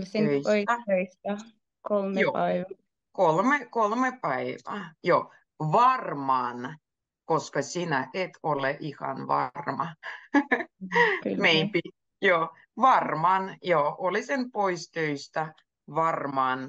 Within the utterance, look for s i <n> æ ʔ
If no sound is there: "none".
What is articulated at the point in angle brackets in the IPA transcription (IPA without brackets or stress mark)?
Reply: n